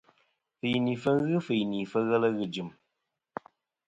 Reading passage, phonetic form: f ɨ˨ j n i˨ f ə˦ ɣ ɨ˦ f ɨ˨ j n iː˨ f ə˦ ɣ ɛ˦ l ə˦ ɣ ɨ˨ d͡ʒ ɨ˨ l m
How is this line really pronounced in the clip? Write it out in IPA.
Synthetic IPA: f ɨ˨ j n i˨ f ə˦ ɣ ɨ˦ f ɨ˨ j n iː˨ f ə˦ ɣ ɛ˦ l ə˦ ɣ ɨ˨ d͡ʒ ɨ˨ m